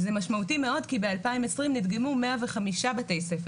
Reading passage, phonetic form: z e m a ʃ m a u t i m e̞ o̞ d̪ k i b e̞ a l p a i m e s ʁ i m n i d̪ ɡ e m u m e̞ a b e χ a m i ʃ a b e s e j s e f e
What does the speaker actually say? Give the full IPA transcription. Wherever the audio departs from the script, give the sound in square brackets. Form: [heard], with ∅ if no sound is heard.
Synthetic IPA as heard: z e m a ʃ m a u t i m e̞ o̞ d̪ k i b e̞ a l p a i m e s ʁ i m n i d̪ ɡ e m u m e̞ a [v] e χ a m i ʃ a b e [t] e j s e f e